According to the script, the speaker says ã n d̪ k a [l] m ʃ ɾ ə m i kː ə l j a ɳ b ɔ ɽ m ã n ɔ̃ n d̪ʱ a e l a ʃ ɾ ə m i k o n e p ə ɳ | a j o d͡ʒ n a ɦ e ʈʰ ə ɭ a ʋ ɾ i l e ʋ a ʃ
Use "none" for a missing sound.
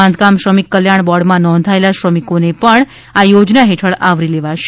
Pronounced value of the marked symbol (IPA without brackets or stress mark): none